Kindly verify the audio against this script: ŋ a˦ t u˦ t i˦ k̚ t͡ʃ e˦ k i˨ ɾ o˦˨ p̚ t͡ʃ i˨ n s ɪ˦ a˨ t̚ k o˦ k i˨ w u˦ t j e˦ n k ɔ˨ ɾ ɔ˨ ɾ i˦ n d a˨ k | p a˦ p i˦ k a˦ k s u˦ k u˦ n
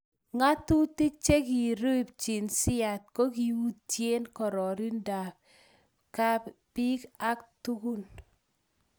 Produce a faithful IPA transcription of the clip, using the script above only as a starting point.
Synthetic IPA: ŋ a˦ t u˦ t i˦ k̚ t͡ʃ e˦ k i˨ ɾ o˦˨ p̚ t͡ʃ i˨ n s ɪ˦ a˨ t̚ k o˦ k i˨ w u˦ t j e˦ n k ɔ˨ ɾ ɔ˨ ɾ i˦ n d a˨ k | k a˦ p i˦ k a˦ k t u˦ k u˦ n